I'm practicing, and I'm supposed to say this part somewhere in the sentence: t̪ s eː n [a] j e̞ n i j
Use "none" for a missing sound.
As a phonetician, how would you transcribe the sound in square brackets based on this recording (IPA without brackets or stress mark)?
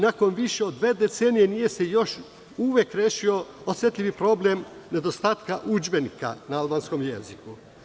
i